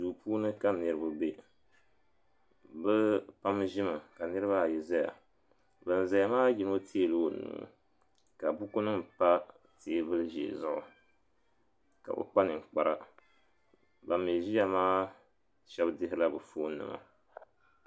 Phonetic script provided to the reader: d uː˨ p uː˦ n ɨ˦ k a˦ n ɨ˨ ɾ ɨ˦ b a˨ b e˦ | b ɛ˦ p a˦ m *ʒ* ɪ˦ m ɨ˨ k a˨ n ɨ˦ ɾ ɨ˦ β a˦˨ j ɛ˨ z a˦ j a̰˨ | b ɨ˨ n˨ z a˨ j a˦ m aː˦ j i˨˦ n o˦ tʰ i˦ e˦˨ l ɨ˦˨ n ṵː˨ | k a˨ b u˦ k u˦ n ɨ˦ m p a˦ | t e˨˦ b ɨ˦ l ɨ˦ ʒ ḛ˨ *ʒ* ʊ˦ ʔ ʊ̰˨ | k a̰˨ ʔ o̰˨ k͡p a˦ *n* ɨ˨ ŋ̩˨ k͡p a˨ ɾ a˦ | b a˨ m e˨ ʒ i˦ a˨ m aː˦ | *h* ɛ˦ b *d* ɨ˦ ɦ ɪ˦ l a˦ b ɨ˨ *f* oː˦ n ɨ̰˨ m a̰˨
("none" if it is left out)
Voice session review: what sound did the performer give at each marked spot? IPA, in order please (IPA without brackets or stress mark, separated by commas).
ʒ, z, n, ʃ, d, f